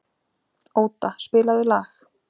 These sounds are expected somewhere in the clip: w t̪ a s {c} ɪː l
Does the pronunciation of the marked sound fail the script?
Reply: yes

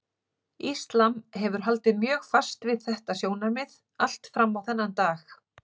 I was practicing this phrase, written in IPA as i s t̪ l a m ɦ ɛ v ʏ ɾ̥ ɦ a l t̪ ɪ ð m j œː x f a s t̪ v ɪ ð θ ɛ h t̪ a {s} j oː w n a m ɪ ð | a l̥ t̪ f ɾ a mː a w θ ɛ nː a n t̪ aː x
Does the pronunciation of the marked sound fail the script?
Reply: no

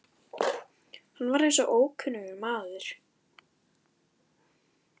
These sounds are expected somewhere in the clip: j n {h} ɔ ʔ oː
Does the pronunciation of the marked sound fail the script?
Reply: yes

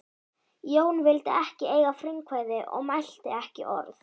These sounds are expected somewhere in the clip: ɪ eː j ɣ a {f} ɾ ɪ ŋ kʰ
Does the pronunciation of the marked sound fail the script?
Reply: no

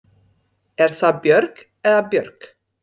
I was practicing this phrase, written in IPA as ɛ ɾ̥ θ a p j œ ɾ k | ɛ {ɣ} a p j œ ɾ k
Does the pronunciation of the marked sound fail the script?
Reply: yes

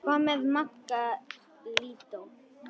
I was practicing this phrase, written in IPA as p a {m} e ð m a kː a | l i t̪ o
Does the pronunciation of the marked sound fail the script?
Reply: no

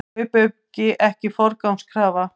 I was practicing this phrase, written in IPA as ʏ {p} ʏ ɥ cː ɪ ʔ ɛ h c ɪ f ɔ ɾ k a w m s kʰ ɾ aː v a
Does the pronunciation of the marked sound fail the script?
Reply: no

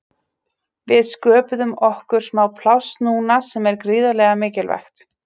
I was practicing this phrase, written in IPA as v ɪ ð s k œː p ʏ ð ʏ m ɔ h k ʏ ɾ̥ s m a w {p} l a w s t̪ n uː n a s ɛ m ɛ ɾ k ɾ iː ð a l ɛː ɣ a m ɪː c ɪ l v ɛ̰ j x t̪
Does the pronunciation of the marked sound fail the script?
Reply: yes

